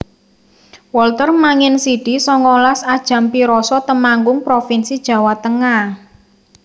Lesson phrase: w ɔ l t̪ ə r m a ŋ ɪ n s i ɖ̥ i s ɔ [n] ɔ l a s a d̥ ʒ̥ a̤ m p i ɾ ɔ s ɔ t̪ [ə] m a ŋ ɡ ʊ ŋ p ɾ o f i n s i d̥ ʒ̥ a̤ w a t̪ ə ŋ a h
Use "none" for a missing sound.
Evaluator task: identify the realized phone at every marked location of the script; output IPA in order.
ŋ, ə

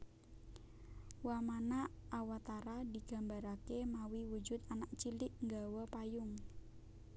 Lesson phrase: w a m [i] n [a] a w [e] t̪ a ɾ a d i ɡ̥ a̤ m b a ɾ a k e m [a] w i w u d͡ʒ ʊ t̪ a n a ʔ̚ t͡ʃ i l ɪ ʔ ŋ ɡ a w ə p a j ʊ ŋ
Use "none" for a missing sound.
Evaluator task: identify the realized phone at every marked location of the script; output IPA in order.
a, a, a, a

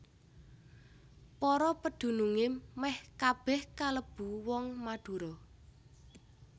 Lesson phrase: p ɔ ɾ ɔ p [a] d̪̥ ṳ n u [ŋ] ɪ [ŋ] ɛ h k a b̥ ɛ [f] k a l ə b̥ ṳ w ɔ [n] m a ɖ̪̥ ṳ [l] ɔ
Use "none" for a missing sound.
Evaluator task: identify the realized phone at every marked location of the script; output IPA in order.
ə, ŋ, m, h, ŋ, ɾ

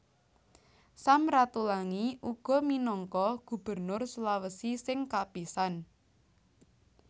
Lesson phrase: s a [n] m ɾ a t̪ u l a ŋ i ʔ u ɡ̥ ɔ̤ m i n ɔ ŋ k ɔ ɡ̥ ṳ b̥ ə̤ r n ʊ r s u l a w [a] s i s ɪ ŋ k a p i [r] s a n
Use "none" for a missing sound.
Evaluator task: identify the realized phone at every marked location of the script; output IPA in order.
none, ə, none

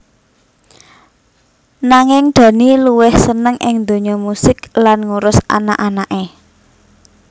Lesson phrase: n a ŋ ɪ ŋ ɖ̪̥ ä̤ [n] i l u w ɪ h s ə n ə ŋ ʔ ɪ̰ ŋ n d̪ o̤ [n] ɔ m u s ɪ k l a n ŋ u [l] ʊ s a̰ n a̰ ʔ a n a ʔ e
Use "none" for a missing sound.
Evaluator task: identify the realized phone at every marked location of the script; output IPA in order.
n, ɲ, ɾ

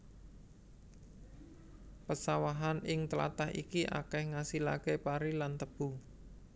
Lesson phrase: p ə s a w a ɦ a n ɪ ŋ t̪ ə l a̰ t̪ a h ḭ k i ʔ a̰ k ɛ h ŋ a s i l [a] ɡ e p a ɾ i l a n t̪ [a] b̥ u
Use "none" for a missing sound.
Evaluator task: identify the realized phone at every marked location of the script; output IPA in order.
a, ə

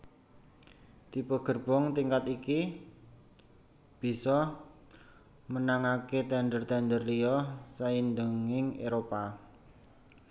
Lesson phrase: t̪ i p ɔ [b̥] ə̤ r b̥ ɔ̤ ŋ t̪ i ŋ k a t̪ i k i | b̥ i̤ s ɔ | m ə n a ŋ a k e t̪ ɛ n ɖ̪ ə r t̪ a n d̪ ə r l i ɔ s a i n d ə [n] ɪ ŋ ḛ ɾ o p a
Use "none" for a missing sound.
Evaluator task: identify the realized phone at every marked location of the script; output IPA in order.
ɡ̥, ŋ

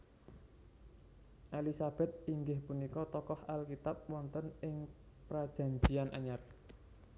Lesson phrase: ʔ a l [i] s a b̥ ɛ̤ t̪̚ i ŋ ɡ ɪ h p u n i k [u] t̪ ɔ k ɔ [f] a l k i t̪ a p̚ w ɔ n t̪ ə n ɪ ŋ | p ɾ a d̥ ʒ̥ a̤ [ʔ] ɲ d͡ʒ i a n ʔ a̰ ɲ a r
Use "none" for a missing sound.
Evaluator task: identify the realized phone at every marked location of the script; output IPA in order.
i, ɔ, h, none

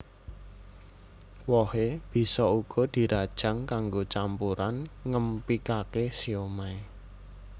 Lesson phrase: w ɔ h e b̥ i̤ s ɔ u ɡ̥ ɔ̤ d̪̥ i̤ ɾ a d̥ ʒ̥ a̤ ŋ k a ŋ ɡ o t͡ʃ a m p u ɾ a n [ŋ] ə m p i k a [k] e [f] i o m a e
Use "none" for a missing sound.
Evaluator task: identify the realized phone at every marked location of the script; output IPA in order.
ŋ, k, s

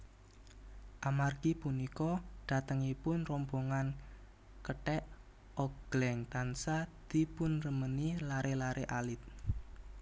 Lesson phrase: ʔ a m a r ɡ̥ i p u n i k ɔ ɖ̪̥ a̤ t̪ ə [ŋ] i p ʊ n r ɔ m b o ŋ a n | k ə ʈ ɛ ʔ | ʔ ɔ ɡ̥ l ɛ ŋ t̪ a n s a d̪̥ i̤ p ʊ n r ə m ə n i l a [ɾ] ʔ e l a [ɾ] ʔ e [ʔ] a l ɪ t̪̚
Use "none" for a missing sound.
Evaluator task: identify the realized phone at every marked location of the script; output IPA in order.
ŋ, ɾ, ɾ, ʔ

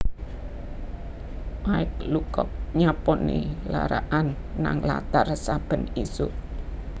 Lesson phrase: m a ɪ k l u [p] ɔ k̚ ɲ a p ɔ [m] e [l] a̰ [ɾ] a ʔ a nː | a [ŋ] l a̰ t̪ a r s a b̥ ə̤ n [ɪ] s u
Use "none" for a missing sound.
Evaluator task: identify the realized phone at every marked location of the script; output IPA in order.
k, n, l, ɾ, ŋ, i

